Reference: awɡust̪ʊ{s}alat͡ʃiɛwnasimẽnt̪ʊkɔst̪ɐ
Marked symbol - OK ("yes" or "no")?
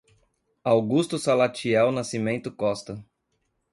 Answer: yes